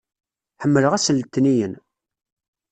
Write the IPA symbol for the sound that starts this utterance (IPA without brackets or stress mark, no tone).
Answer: ħ